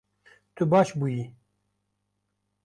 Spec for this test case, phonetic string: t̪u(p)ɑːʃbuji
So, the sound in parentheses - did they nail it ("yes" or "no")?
no